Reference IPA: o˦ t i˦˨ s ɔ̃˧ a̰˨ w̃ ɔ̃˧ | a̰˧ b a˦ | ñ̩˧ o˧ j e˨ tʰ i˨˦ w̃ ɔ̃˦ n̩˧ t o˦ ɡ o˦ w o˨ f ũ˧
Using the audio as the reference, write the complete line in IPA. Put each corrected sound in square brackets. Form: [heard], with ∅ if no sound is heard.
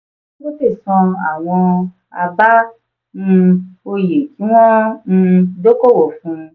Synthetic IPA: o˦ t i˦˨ s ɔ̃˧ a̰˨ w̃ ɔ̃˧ | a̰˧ b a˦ | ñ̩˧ o˧ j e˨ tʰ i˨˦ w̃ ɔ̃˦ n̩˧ [d] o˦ [k] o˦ w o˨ f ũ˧